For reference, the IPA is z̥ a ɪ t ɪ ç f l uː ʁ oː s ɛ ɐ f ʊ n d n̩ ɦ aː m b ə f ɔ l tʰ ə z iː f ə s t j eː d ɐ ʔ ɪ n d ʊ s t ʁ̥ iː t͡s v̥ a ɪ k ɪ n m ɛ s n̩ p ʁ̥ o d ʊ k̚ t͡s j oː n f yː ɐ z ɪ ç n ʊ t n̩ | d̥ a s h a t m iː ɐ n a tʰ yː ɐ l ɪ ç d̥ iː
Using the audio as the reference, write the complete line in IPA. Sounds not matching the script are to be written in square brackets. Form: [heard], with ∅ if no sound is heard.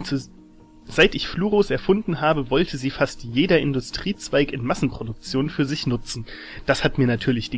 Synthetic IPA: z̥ a ɪ t ɪ ç f l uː ʁ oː s ɛ ɐ f ʊ n d n̩ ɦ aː [∅] b ə [v] ɔ l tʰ ə z iː f [a] s t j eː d ɐ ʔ ɪ n d ʊ s t ʁ̥ iː t͡s v̥ a ɪ k ɪ n m [a] s n̩ p ʁ̥ o d ʊ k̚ t͡s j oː n f yː ɐ z ɪ ç n ʊ [t͡s] n̩ | d̥ a s h a t m iː ɐ n a tʰ yː ɐ l ɪ ç d̥ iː